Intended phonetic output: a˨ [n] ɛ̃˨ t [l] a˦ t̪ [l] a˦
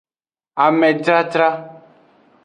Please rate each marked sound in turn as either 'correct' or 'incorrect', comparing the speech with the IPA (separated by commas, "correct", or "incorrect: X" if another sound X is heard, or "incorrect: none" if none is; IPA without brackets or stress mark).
incorrect: m, incorrect: ɾ, incorrect: ɾ